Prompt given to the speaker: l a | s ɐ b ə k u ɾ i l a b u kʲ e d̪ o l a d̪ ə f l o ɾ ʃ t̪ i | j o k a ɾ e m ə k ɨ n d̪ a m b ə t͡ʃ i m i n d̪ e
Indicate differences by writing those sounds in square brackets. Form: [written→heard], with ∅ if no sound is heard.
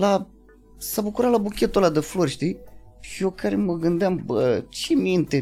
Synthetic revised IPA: l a | s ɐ b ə k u ɾ [i→a] l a b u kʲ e [d̪→t̪] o l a d̪ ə f l o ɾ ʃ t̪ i | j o k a ɾ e m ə [k→ɡ] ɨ n d̪ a m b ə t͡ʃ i m i n [d̪→t̪] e